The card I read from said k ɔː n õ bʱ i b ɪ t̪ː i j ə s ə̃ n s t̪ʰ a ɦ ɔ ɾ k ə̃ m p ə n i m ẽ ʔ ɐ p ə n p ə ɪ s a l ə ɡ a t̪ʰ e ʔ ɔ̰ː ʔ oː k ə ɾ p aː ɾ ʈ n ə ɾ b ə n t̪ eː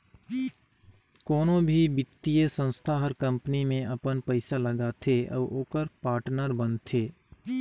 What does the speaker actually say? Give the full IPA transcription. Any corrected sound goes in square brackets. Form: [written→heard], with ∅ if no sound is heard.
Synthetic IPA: k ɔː n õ bʱ i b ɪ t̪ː i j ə s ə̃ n s t̪ʰ a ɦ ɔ ɾ k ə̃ m p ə n i m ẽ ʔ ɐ p ə n p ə ɪ s a l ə ɡ a t̪ʰ e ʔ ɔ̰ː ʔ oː k ə ɾ p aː ɾ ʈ n ə ɾ b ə n [t̪→t̪ʰ] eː